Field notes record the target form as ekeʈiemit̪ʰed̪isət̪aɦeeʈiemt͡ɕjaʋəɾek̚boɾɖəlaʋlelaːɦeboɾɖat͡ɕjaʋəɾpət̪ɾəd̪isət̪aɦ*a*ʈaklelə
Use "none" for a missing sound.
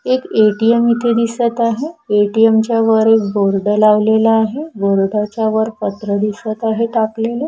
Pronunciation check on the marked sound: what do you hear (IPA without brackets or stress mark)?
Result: e